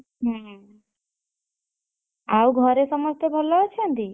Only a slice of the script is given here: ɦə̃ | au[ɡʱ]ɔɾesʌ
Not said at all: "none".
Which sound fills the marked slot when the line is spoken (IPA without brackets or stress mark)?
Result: ɡʱ